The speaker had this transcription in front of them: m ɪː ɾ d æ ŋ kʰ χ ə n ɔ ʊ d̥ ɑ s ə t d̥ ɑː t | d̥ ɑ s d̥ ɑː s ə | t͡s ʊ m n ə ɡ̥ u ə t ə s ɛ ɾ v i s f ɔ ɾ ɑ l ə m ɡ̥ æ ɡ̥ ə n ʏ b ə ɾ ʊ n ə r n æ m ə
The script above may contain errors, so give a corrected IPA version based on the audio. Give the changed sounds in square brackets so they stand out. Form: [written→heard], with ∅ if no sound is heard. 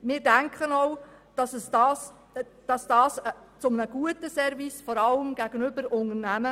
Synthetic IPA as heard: m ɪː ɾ d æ ŋ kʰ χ ə n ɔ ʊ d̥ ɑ s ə [t→s] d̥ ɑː [t→s] | d̥ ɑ s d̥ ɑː s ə | t͡s ʊ m n ə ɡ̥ u ə t ə s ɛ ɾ v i s f ɔ ɾ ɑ l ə m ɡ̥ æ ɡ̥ ə n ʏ b ə ɾ ʊ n ə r n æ m ə